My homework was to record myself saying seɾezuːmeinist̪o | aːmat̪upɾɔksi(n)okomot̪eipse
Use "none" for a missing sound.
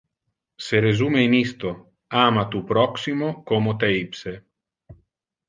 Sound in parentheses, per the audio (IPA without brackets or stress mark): m